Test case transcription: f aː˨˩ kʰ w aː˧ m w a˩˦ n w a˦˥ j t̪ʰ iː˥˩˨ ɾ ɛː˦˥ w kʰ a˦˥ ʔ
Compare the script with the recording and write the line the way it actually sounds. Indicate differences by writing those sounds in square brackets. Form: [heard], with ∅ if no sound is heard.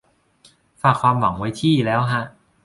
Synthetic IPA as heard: f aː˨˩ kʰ w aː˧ m w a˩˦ [ŋ] w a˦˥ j t̪ʰ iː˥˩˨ [l] ɛː˦˥ w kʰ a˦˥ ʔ